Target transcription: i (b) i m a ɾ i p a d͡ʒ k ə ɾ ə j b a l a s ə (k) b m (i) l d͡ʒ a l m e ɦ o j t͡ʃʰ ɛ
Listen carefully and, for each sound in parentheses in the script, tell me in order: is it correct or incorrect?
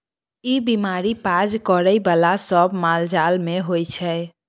correct, incorrect: none, incorrect: a

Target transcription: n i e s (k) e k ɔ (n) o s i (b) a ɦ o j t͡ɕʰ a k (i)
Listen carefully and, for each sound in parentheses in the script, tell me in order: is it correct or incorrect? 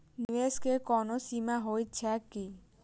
correct, correct, incorrect: m, correct

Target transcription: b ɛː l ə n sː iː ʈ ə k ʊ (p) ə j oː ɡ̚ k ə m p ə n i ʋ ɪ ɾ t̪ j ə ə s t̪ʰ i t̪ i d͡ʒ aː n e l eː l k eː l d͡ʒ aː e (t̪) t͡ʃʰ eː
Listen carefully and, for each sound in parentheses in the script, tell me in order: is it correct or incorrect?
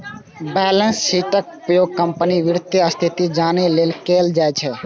correct, incorrect: none

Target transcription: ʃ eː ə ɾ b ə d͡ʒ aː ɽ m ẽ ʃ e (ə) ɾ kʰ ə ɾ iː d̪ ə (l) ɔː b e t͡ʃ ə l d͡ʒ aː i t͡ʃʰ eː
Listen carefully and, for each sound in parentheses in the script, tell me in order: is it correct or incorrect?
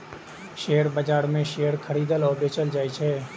correct, correct

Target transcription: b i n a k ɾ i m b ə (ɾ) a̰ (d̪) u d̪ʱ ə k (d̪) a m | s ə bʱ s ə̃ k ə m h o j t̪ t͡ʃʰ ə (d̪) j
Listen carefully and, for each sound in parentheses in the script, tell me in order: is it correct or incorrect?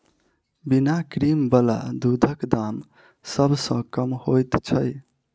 incorrect: l, correct, correct, incorrect: none

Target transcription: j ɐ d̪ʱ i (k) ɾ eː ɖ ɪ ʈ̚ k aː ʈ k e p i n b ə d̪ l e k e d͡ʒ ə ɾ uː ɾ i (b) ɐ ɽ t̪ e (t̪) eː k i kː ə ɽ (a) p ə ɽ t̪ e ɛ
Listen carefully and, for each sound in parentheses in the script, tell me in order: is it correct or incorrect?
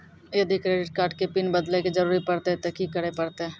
correct, incorrect: p, correct, incorrect: e

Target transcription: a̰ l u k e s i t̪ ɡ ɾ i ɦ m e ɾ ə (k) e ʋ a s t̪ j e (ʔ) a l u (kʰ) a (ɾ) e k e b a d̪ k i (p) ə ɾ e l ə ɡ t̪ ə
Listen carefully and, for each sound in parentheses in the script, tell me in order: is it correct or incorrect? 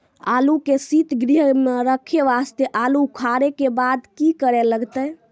incorrect: kʰ, correct, correct, correct, incorrect: k

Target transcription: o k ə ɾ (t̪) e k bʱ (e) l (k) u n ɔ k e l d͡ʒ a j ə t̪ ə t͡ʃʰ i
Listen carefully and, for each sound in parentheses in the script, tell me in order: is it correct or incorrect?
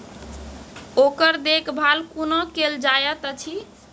incorrect: d̪, incorrect: a, correct

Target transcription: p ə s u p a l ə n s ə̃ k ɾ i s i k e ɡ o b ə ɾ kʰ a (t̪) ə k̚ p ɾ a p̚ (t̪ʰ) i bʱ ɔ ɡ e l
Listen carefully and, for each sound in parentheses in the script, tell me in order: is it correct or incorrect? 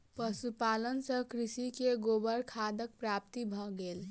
incorrect: d̪, incorrect: t̪

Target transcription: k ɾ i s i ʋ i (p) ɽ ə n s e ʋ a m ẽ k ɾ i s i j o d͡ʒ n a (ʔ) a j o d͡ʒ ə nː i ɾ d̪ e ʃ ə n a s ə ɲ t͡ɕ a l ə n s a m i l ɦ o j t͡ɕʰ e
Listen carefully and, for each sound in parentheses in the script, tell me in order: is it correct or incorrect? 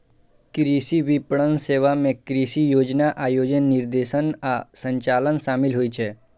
correct, correct

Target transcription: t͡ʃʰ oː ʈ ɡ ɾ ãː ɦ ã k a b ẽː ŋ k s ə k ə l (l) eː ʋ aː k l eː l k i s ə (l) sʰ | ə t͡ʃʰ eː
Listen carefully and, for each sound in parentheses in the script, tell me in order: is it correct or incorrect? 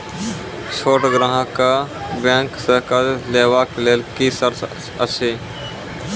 correct, incorrect: ɾ

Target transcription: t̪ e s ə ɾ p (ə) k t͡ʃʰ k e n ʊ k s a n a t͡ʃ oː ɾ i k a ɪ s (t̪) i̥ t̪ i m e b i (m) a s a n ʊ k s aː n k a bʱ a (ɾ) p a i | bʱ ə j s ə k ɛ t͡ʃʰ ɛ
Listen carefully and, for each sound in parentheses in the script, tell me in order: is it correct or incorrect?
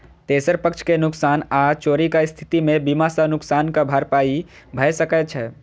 correct, incorrect: t̪ʰ, correct, correct

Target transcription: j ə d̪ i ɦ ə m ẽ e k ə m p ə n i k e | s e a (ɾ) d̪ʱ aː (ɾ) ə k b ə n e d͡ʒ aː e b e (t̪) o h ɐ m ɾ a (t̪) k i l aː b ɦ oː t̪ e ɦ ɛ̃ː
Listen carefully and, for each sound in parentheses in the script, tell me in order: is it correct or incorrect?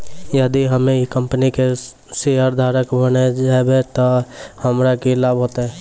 correct, correct, correct, incorrect: none

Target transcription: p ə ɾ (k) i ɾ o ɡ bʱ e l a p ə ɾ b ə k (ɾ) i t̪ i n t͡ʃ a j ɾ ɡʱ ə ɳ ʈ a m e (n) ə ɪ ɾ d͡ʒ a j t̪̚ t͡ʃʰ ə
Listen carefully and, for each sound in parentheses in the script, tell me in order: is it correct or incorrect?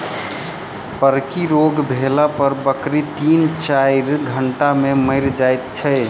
correct, correct, incorrect: m

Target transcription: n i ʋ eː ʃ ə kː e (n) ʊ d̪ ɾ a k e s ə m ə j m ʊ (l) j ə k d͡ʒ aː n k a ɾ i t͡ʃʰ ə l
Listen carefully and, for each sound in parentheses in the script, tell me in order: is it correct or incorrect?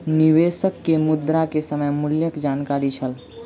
incorrect: m, correct

